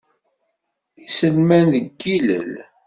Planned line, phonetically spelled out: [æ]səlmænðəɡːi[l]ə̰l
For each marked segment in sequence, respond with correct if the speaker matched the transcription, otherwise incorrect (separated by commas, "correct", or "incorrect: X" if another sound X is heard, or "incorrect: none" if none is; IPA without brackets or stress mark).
incorrect: i, correct